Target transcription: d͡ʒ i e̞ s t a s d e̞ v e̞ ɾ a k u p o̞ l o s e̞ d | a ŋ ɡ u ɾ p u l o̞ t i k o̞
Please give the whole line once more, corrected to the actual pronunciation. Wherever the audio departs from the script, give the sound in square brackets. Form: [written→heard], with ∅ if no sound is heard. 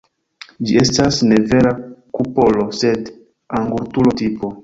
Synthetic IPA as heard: d͡ʒ i e̞ s t a s [d→n] e̞ v e̞ ɾ a k u p o̞ l o s e̞ d | a ŋ ɡ u ɾ [p→t] u l o̞ t i [k→p] o̞